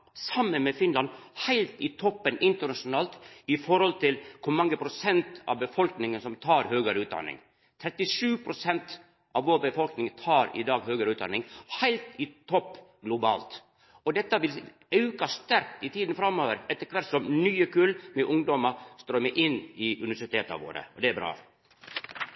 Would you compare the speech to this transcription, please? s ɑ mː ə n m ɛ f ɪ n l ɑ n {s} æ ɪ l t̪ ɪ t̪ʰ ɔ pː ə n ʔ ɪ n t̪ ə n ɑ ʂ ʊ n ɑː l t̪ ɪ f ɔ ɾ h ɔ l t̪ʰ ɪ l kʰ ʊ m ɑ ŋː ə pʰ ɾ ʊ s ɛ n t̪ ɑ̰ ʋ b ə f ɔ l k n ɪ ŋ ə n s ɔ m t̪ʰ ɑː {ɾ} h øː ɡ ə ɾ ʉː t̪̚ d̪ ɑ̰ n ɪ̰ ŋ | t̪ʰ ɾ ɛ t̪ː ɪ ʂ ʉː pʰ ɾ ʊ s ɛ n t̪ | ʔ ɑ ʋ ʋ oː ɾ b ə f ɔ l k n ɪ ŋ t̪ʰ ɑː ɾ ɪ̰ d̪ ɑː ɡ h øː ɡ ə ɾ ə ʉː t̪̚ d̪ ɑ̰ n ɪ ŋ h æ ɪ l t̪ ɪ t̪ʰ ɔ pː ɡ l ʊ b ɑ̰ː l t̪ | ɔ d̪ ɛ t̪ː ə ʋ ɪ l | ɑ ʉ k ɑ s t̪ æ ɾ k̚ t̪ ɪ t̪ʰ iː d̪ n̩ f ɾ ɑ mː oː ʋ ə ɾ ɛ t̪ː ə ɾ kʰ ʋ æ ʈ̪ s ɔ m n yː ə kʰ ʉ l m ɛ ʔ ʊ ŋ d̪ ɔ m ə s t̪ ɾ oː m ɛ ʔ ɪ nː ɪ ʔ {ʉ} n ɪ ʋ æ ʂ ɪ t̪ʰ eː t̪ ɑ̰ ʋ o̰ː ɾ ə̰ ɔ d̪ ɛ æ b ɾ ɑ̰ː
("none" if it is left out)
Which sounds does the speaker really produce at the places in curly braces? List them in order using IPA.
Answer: h, ɾ, ʉ

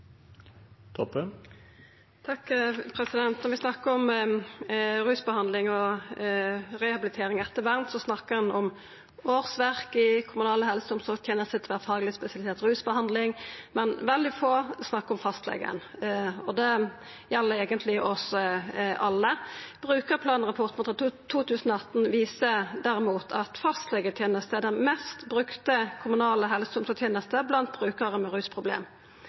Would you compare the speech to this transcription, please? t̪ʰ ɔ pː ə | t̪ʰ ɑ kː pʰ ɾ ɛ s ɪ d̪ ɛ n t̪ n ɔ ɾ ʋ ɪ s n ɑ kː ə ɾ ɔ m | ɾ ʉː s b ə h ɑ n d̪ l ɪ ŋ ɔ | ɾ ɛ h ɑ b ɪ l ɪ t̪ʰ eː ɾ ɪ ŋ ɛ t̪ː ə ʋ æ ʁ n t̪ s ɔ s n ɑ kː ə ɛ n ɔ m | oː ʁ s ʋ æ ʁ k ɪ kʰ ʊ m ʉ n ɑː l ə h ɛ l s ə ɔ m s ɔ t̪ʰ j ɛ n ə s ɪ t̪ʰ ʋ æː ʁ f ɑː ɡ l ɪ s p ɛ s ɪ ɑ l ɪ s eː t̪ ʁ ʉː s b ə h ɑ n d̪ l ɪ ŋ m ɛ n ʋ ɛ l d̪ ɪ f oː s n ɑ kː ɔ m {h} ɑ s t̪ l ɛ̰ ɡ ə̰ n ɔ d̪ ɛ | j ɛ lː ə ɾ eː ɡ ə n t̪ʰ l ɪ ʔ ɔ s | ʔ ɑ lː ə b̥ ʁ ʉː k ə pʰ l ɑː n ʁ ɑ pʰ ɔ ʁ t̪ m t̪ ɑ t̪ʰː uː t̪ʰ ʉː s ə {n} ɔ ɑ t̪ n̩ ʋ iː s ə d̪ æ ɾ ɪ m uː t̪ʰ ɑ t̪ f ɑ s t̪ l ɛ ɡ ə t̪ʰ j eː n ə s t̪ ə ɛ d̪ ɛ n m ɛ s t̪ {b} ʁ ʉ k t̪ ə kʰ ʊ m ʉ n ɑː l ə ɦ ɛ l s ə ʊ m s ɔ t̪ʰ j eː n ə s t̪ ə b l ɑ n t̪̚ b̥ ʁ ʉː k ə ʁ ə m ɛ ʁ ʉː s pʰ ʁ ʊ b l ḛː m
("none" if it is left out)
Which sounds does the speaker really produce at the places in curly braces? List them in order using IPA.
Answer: f, n, b

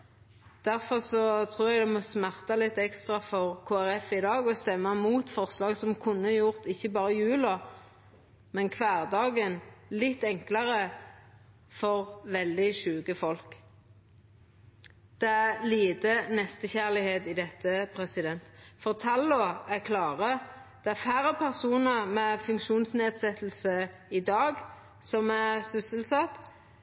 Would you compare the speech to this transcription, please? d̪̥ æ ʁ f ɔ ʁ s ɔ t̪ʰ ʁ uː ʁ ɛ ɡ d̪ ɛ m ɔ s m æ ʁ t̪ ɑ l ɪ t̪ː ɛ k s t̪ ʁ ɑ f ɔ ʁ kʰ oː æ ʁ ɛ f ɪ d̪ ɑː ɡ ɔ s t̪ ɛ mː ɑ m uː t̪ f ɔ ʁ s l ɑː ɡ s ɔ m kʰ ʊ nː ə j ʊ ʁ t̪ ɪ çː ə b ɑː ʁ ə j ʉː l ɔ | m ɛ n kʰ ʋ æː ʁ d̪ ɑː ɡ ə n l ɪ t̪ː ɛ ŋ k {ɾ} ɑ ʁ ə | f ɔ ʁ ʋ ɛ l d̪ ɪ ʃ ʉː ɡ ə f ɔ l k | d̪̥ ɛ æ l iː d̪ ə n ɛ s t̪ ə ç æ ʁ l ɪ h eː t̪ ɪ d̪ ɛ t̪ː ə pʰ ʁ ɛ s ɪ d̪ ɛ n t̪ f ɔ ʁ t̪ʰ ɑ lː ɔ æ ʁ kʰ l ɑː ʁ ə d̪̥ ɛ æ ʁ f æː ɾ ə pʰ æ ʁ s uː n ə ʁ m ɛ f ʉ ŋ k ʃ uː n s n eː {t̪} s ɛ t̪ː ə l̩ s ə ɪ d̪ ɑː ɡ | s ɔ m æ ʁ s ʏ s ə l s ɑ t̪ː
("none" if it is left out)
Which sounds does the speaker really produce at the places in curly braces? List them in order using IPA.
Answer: l, d̪

